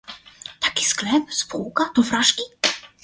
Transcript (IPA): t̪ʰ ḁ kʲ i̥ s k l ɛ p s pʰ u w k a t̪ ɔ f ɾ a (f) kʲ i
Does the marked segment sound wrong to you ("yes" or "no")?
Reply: yes